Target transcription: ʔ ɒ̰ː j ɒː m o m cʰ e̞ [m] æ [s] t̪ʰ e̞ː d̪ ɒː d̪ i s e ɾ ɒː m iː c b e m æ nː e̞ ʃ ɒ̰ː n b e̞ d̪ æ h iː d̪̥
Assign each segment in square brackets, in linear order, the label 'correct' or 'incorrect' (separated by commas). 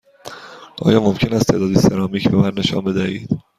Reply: incorrect, correct